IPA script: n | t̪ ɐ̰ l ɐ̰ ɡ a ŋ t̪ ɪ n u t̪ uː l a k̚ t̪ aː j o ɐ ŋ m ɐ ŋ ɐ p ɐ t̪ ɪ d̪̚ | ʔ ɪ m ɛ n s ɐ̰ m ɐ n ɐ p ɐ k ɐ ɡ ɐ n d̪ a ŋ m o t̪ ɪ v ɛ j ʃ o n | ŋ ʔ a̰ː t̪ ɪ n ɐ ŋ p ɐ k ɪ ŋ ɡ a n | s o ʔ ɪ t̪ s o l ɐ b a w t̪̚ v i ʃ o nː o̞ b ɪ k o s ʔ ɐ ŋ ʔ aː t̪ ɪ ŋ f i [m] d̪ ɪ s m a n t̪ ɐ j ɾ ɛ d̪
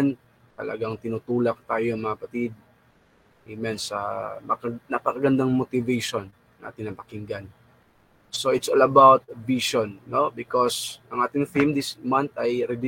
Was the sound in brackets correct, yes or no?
yes